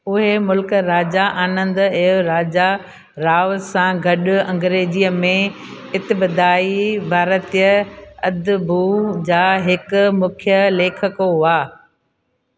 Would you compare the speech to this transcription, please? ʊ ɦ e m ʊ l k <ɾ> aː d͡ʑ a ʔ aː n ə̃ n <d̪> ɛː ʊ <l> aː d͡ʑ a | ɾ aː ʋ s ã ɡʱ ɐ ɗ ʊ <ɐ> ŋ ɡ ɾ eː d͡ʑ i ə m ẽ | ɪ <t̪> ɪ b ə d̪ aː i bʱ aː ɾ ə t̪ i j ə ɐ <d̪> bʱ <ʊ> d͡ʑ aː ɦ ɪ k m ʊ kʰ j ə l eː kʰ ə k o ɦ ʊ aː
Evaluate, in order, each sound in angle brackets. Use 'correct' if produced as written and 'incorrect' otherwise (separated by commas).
correct, correct, incorrect, incorrect, correct, correct, incorrect